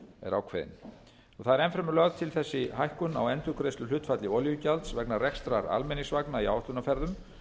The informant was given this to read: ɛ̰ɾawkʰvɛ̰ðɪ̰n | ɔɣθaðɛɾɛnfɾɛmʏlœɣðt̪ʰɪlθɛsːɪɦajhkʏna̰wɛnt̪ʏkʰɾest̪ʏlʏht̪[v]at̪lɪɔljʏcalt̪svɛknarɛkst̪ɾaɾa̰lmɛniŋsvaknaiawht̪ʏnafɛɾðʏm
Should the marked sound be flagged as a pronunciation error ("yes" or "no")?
yes